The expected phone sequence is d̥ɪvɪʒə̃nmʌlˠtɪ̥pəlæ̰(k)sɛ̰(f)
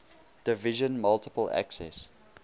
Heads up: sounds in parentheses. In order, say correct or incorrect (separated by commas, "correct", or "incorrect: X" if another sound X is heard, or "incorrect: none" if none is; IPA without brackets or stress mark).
correct, incorrect: s